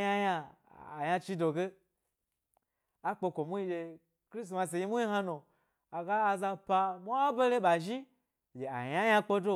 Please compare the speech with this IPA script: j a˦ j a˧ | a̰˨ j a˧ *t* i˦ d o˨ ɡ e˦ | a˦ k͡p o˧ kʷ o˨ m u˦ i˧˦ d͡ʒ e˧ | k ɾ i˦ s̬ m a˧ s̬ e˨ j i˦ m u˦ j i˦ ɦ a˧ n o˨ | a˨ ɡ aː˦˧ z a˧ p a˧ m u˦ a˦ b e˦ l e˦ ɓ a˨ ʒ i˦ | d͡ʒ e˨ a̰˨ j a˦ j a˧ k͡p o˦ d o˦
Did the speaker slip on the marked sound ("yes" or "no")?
yes